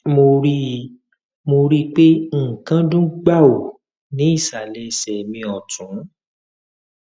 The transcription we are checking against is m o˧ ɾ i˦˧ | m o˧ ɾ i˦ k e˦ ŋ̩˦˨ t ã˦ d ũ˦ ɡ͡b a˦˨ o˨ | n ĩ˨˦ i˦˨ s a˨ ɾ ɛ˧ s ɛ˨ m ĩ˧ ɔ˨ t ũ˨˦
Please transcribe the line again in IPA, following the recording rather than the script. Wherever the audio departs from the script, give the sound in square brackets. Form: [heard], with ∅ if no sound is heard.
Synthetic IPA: m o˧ ɾ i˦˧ | m o˧ ɾ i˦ [k͡p] e˦ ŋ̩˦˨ [k] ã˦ d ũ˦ ɡ͡b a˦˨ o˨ | n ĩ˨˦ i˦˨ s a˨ [l] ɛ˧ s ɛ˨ m ĩ˧ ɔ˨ t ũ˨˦